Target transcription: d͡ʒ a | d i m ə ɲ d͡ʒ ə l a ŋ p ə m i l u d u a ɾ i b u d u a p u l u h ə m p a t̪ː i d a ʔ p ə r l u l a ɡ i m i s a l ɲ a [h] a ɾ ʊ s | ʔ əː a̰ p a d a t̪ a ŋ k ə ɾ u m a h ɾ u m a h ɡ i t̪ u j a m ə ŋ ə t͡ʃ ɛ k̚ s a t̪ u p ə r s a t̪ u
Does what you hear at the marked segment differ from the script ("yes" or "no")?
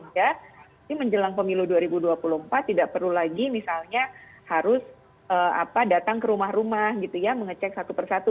no